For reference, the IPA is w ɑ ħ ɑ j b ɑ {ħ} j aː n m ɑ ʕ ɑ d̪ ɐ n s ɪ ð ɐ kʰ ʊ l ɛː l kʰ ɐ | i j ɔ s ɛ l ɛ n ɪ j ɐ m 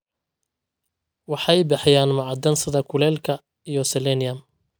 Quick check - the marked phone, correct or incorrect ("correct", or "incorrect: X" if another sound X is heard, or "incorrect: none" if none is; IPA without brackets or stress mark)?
correct